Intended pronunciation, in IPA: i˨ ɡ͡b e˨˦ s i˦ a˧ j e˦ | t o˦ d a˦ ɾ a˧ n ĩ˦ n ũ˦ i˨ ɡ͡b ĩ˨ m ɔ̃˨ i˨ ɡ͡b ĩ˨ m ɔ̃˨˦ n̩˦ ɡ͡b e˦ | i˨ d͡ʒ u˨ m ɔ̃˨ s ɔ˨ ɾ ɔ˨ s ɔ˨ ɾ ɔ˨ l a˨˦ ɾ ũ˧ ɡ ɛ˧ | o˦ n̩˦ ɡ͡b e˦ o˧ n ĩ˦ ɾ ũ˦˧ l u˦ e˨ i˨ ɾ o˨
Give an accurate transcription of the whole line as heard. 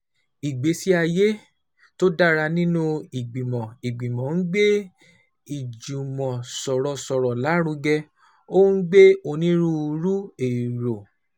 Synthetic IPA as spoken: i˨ ɡ͡b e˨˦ s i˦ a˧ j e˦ | t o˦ d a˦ ɾ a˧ n ĩ˦ n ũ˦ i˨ ɡ͡b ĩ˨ m ɔ̃˨ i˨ ɡ͡b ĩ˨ m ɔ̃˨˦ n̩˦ ɡ͡b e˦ | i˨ d͡ʒ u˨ m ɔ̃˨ s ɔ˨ ɾ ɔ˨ s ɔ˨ ɾ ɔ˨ l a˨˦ ɾ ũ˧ ɡ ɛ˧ | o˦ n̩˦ ɡ͡b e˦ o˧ n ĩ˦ ɾ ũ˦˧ ɾ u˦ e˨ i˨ ɾ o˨